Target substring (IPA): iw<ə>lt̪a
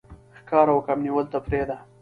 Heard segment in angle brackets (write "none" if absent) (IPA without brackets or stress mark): ə